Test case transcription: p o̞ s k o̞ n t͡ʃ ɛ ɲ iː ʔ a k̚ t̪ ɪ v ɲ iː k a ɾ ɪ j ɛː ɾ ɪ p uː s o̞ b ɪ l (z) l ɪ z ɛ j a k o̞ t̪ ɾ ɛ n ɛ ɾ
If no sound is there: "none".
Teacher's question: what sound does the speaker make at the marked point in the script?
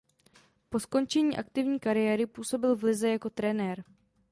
v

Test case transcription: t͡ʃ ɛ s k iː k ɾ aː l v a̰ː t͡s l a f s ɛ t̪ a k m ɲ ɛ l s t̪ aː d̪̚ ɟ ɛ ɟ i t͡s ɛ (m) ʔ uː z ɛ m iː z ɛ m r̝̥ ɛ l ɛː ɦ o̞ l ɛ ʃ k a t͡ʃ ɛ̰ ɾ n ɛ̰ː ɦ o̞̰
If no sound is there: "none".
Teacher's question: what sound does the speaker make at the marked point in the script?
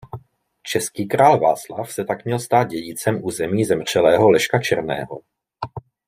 m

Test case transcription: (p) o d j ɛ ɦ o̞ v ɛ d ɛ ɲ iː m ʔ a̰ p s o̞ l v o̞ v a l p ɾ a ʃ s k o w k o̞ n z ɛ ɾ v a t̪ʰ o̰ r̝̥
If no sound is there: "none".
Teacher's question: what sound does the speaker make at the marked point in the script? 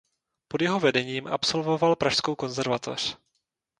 p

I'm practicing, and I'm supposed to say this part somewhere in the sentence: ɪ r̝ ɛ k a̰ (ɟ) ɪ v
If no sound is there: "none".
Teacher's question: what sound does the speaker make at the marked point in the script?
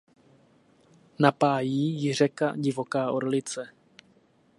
ɟ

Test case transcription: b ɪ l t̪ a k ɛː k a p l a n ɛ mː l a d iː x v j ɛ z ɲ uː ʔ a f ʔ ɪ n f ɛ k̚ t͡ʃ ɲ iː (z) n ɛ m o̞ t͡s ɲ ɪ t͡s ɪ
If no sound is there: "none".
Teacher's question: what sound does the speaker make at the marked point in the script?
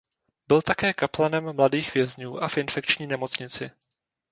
none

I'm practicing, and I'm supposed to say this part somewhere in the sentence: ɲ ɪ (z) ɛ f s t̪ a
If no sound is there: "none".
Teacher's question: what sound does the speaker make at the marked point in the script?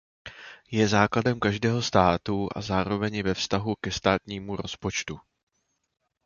v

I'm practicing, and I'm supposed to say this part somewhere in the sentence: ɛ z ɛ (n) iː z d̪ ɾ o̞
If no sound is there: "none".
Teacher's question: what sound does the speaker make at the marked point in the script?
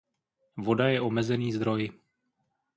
n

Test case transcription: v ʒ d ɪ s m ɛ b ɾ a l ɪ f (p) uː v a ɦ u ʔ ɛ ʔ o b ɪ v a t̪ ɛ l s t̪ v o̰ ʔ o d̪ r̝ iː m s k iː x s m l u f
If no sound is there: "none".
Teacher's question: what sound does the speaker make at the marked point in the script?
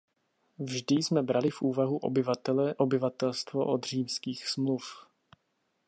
ʔ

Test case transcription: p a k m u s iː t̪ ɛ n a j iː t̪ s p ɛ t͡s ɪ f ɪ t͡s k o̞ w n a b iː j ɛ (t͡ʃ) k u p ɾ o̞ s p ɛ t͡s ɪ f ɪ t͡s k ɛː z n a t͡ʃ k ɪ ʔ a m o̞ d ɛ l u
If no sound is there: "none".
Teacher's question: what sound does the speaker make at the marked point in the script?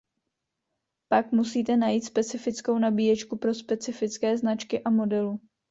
t͡ʃ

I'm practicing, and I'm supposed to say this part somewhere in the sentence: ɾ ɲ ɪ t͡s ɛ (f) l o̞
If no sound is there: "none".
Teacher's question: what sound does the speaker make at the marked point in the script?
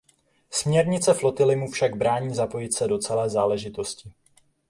f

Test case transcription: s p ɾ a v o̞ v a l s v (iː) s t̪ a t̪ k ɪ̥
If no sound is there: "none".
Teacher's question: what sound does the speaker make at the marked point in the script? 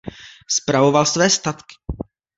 ɛː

